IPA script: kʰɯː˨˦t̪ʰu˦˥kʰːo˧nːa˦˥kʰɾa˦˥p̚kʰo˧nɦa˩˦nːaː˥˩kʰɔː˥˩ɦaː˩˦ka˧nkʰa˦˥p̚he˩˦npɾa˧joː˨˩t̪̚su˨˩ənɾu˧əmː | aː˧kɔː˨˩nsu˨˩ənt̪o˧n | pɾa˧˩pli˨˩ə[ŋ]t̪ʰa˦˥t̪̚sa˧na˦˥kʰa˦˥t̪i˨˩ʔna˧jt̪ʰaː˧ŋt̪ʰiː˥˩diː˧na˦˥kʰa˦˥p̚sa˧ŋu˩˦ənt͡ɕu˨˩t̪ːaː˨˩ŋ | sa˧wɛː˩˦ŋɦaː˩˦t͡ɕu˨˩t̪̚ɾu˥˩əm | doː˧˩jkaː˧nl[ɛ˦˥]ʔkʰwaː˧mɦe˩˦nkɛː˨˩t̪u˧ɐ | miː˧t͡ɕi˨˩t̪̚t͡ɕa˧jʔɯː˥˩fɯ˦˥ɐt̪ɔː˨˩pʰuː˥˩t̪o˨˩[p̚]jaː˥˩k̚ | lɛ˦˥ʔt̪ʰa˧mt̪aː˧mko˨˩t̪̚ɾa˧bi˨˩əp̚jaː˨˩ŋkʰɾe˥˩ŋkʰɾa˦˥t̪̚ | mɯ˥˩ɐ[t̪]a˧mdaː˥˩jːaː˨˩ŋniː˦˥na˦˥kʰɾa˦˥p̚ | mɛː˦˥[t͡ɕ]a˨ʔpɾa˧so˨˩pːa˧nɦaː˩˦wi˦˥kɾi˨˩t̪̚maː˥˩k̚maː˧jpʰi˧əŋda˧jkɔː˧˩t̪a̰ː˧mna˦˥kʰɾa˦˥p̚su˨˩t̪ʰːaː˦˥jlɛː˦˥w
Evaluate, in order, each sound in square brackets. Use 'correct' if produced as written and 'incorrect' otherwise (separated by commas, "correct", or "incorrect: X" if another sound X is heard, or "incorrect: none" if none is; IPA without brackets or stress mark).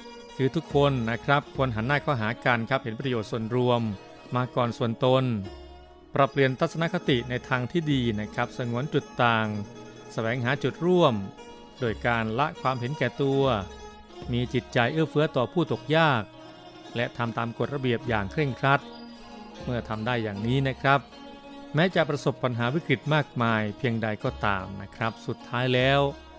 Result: incorrect: n, incorrect: a˦˥, incorrect: k̚, incorrect: t̪ʰ, correct